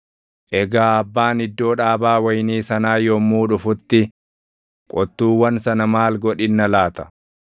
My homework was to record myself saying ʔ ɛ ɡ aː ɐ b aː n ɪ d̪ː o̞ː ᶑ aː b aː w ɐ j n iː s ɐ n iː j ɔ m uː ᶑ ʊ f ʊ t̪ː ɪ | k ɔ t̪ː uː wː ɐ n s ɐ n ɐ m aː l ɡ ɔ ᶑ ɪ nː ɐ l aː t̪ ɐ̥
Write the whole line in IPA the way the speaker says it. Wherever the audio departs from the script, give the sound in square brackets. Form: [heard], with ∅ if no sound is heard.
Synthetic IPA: ʔ ɛ ɡ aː ɐ [bː] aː n ɪ d̪ː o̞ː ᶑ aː b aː w ɐ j n iː s ɐ n [aː] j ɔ m uː ᶑ ʊ f ʊ t̪ː ɪ | [kʼ] ɔ t̪ː uː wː ɐ n s ɐ n ɐ m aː l ɡ ɔ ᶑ ɪ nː ɐ l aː t̪ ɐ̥